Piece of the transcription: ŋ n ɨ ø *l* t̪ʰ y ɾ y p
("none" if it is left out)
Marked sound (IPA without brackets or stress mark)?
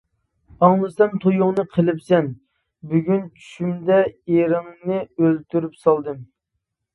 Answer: l